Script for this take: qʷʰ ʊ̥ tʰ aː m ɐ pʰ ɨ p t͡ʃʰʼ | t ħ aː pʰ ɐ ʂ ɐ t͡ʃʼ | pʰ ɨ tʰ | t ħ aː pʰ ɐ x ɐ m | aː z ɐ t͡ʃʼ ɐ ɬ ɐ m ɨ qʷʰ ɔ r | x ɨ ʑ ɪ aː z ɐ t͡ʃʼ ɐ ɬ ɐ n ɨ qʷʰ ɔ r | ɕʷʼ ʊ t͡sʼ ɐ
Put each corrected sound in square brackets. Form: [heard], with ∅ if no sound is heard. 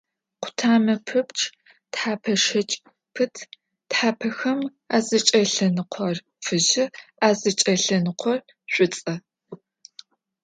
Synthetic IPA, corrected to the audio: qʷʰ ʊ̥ tʰ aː m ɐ pʰ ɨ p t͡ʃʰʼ | t ħ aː pʰ ɐ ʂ ɐ t͡ʃʼ | pʰ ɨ tʰ | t ħ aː pʰ ɐ x ɐ m | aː z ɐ t͡ʃʼ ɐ ɬ ɐ [n] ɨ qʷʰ ɔ r | [f] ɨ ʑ ɪ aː z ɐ t͡ʃʼ ɐ ɬ ɐ n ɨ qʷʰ ɔ r | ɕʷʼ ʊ t͡sʼ ɐ